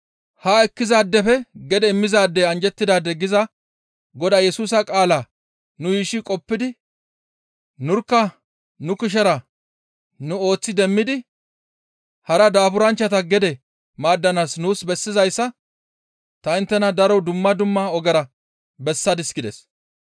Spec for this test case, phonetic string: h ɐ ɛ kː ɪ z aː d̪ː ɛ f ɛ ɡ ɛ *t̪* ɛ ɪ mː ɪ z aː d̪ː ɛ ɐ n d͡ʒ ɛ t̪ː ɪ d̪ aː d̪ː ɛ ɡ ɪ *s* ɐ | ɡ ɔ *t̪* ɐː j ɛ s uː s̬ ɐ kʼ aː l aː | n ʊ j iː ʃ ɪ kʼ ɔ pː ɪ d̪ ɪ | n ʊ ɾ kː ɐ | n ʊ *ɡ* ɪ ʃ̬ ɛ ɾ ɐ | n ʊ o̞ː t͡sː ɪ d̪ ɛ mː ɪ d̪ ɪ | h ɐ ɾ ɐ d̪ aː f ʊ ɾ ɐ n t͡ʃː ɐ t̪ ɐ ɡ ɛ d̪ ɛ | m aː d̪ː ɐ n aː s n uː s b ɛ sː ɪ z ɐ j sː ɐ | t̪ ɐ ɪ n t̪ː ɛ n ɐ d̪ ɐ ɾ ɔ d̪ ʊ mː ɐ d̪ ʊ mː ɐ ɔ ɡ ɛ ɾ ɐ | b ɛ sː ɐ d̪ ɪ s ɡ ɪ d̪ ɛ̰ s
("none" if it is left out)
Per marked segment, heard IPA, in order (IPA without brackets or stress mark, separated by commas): d̪, z, d̪, k